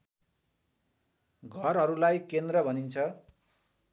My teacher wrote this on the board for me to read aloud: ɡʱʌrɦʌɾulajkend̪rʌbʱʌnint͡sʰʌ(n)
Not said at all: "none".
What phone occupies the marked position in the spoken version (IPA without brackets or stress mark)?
none